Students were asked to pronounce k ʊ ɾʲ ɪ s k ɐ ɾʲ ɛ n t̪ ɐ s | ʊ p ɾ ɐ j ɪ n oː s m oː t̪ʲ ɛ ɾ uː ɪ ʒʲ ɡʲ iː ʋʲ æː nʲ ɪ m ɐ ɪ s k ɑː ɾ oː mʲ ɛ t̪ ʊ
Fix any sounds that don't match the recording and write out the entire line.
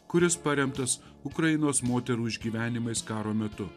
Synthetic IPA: k ʊ ɾʲ ɪ s p ɐ ɾʲ ɛ m t̪ ɐ s | ʊ k ɾ ɐ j ɪ n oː s m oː t̪ʲ ɛ ɾ uː ɪ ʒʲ ɡʲ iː ʋʲ æː nʲ ɪ m ɐ ɪ s k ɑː ɾ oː mʲ ɛ t̪ ʊ

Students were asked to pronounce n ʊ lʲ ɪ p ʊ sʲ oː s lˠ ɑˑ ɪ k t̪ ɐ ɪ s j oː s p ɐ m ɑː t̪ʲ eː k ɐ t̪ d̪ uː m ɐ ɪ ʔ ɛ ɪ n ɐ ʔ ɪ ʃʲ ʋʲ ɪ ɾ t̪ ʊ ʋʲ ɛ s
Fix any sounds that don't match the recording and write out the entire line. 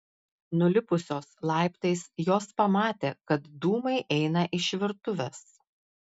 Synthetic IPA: n ʊ lʲ ɪ p ʊ sʲ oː s lˠ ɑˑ ɪ p t̪ ɐ ɪ s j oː s p ɐ m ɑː t̪ʲ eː k ɐ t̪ d̪ uː m ɐ ɪ ʔ ɛ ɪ n ɐ ʔ ɪ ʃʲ ʋʲ ɪ ɾ t̪ ʊ ʋʲ ɛ s

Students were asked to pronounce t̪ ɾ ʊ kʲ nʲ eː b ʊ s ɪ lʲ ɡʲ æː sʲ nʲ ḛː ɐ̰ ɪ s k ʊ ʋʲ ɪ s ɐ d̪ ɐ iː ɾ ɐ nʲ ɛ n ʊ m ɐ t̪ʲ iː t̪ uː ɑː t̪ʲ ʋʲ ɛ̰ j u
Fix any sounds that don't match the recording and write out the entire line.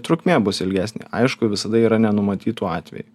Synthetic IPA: t̪ ɾ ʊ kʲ mʲ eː b ʊ s ɪ lʲ ɡʲ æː sʲ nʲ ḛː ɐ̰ ɪ ʃ k ʊ ʋʲ ɪ s ɐ d̪ ɐ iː ɾ ɐ nʲ ɛ n ʊ m ɐ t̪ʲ iː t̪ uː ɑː t̪ʲ ʋʲ ɛ̰ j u

